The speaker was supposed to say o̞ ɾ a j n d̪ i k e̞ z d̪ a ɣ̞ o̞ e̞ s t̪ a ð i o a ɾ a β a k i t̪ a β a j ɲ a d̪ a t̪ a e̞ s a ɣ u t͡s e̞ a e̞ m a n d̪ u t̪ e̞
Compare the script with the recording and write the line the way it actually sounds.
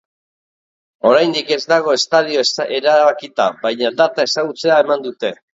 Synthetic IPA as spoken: o̞ ɾ a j n d̪ i k e̞ z d̪ a ɣ̞ o̞ e̞ s t̪ a ð i o e ɾ a β a k i t̪ a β a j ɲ a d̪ a t̪ a e̞ s a ɣ u t͡s e̞ a e̞ m a n d̪ u t̪ e̞